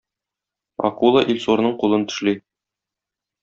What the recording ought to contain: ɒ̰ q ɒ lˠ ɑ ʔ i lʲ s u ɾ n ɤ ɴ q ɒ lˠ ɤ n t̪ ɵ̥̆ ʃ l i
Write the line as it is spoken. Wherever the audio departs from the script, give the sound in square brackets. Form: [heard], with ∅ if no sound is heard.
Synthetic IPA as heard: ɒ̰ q [u] lˠ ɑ ʔ i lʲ s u ɾ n ɤ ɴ q [u] lˠ ɤ n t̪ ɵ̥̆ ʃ l i